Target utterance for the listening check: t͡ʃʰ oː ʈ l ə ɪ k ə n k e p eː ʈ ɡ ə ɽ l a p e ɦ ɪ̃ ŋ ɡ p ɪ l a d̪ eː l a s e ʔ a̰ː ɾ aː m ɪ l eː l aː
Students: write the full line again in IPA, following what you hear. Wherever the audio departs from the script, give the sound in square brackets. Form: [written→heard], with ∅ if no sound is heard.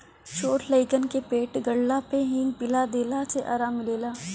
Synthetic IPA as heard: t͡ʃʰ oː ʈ l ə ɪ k ə n k e p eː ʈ ɡ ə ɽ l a p e ɦ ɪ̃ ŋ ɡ p ɪ l a d̪ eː l a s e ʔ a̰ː ɾ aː m ɪ l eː l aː